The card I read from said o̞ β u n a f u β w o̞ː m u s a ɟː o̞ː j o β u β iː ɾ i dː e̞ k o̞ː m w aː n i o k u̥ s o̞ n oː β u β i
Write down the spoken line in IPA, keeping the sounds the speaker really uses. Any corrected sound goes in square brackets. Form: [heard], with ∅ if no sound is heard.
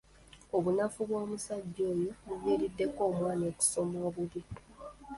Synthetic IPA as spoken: o̞ β u n a f u β w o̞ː m u s a ɟː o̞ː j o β u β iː ɾ i dː e̞ k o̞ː m w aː n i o k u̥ s o̞ [m] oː β u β i